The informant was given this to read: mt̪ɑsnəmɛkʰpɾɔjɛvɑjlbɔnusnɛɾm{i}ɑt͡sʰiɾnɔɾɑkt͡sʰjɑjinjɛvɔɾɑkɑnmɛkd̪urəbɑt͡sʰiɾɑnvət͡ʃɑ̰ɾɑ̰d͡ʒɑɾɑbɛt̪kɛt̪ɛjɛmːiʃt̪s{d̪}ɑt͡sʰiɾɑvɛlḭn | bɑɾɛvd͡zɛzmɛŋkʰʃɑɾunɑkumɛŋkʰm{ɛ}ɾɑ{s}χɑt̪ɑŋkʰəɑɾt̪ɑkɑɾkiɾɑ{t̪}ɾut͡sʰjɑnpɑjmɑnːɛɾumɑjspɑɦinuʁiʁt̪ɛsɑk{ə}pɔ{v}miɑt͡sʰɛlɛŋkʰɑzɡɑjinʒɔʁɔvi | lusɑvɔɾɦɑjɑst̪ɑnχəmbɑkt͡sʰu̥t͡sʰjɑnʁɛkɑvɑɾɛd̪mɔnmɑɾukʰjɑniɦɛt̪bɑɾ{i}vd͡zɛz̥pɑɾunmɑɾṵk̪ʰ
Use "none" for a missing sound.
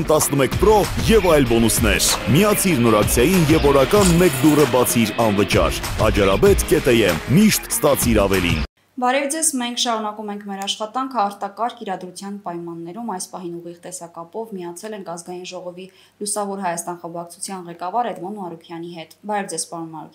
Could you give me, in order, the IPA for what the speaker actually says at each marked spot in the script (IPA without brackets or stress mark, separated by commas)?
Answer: i, t̪, ɛ, ʃ, d̪, ɑ, v, ɛ